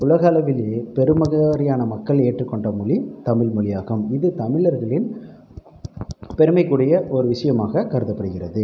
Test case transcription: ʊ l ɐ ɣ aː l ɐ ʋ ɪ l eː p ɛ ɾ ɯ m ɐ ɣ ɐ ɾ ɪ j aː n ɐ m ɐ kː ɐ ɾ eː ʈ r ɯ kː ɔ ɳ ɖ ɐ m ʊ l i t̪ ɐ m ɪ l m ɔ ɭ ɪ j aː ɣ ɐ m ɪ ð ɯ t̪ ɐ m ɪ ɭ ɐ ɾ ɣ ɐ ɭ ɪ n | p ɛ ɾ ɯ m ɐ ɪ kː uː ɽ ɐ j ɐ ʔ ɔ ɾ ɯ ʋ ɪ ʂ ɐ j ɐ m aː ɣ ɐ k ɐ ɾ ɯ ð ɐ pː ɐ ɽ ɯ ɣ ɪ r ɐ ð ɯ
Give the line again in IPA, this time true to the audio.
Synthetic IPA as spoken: ʊ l ɐ ɣ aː l ɐ ʋ ɪ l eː p ɛ ɾ ɯ m ɐ ɣ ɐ ɾ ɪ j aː n ɐ m ɐ kː ɐ ɭ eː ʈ r ɯ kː ɔ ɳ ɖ ɐ m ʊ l i t̪ ɐ m ɪ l m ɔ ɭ ɪ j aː ɣ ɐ m ɪ ð ɯ t̪ ɐ m ɪ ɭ ɐ ɾ ɣ ɐ ɭ ɪ n | p ɛ ɾ ɯ m ɐ ɪ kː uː ɽ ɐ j ɐ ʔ ɔ ɾ ɯ ʋ ɪ ʂ ɐ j ɐ m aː ɣ ɐ k ɐ ɾ ɯ ð ɐ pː ɐ ɽ ɯ ɣ ɪ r ɐ ð ɯ